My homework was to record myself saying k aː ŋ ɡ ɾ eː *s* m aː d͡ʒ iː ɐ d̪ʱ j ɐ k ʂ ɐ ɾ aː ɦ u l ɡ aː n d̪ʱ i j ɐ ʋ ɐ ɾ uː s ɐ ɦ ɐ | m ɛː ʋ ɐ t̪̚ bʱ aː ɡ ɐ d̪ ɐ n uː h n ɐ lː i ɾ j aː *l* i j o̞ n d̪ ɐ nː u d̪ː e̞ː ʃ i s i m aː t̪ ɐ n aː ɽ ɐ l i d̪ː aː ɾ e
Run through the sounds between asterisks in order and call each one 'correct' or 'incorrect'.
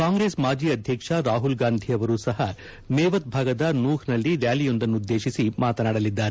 correct, correct

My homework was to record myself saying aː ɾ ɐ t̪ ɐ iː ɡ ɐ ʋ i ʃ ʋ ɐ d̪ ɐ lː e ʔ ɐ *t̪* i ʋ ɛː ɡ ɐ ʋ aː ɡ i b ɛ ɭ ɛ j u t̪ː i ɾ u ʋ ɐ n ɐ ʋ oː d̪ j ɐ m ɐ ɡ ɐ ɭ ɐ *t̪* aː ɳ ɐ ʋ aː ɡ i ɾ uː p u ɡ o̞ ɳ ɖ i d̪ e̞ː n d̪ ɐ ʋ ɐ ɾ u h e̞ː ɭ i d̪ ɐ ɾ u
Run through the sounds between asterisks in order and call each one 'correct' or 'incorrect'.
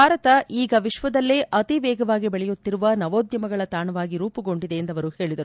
correct, correct

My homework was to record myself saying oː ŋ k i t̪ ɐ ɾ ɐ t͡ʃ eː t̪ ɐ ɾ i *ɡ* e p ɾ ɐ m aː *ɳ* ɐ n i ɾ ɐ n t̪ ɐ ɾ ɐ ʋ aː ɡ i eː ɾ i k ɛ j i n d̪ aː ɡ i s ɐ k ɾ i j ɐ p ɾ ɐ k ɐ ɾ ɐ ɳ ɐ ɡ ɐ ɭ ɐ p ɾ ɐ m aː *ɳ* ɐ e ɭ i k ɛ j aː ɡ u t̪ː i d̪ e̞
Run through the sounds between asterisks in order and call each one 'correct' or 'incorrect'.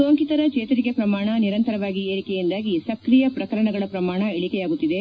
incorrect, correct, correct

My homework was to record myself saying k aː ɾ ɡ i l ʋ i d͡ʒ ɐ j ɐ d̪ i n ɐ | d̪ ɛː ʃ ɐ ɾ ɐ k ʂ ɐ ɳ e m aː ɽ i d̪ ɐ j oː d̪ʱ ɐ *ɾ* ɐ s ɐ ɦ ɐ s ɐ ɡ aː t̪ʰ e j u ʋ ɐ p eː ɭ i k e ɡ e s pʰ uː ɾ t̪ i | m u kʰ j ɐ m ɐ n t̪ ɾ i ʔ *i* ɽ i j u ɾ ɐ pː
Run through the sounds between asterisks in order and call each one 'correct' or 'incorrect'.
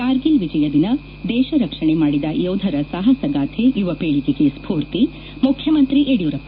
correct, incorrect

